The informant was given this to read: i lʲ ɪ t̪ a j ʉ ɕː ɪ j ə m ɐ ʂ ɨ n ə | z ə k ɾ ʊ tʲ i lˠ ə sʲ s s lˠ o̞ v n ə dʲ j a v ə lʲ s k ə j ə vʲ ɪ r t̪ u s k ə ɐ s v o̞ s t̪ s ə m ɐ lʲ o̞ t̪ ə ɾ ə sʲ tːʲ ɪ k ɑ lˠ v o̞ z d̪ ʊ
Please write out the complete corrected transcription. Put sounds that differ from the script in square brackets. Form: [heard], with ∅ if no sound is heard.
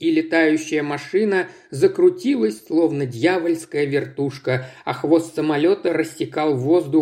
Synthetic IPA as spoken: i lʲ ɪ t̪ a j ʉ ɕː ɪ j ə m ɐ ʂ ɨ n ə | z ə k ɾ ʊ tʲ i lˠ ə sʲ s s lˠ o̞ v n ə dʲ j a v ə lʲ s k ə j ə vʲ ɪ r t̪ u [ʂ] k ə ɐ [x] v o̞ s t̪ s ə m ɐ lʲ o̞ t̪ ə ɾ ə sʲ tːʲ ɪ k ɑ lˠ v o̞ z d̪ ʊ